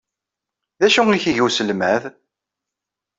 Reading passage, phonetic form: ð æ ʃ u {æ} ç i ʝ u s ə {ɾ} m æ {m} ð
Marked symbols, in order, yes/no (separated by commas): no, no, no